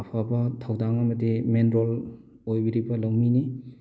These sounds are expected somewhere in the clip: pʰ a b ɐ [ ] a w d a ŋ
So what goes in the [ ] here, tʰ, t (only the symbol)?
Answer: tʰ